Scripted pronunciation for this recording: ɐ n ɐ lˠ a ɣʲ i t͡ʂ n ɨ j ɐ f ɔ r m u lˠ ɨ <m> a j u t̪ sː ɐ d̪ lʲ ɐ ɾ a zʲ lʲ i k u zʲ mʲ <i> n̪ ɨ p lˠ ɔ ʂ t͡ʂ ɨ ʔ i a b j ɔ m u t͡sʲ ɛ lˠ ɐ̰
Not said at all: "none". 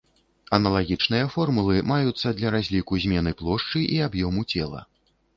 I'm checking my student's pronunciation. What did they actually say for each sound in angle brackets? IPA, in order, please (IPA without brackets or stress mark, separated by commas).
m, ɛ